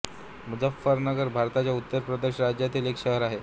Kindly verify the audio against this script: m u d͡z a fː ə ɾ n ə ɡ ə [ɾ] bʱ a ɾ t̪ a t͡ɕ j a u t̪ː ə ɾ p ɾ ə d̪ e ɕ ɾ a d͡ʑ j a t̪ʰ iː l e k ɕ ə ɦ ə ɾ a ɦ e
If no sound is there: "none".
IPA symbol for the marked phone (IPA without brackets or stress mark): ɾ